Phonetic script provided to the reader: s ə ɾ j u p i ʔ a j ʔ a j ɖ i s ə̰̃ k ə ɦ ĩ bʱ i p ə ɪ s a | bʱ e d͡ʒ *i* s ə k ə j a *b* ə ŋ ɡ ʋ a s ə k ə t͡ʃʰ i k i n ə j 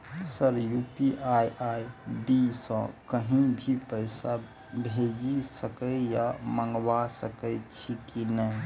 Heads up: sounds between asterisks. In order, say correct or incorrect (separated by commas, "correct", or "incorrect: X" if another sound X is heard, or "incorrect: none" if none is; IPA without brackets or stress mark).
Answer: correct, incorrect: m